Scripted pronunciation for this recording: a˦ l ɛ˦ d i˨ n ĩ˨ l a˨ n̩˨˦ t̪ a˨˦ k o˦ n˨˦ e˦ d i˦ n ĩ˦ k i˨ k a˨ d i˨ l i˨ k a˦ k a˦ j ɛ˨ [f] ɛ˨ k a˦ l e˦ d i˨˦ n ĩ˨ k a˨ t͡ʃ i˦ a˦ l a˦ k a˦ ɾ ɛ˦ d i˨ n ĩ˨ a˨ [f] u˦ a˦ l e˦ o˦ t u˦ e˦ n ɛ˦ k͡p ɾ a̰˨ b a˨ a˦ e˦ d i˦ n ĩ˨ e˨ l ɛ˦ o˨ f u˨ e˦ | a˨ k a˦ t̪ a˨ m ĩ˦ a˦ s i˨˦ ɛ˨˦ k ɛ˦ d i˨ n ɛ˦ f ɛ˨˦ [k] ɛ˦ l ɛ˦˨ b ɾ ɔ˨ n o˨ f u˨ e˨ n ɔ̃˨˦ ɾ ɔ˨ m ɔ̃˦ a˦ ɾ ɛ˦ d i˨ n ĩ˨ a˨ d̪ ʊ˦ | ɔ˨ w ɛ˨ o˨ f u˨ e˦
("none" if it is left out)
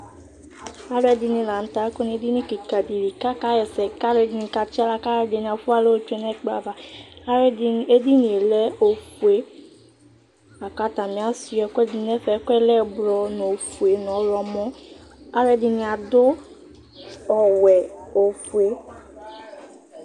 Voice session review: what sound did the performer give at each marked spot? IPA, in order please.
s, f, k

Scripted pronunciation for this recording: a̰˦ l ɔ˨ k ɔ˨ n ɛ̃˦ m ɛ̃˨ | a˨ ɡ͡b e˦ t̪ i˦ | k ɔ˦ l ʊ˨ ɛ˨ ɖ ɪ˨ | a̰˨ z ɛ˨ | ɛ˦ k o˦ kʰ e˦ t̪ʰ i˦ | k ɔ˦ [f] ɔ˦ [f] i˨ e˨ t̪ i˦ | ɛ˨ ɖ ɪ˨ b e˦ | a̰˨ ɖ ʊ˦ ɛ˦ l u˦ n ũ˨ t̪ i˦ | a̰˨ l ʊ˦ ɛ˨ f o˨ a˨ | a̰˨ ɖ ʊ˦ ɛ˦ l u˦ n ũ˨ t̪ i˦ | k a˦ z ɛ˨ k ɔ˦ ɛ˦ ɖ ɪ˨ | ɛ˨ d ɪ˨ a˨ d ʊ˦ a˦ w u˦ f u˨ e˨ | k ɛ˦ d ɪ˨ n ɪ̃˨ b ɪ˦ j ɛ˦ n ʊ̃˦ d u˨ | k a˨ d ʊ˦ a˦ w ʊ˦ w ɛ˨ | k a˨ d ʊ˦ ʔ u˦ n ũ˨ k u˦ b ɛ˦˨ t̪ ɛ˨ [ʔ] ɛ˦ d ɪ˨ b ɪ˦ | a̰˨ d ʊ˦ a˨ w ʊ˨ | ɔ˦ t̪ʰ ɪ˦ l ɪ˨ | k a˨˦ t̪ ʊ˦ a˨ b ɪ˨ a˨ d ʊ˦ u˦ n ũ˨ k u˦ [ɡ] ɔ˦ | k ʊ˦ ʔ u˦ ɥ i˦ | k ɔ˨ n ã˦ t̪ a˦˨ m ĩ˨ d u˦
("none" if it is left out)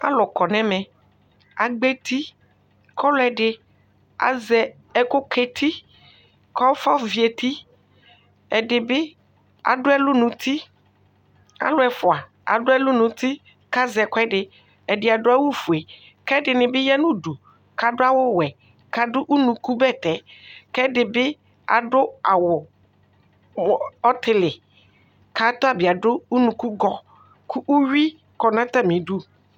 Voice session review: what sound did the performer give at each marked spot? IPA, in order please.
f, v, k, ɡ

